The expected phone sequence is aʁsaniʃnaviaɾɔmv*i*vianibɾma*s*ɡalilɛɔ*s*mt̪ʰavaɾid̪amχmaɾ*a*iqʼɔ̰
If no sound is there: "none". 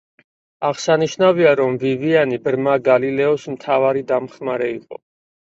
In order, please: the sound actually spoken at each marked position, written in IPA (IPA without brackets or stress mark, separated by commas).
i, none, s, ɛ